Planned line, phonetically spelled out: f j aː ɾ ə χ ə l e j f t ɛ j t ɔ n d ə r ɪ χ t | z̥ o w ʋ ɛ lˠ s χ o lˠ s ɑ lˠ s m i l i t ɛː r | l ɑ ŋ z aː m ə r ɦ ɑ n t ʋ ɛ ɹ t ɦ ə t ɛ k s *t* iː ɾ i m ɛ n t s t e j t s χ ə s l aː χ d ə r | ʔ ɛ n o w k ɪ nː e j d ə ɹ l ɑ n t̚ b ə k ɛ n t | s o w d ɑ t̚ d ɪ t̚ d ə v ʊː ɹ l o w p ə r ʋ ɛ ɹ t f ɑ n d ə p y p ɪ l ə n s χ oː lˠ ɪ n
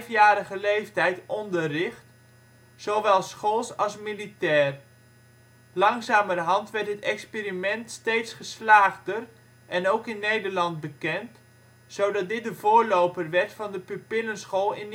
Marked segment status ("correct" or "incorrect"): incorrect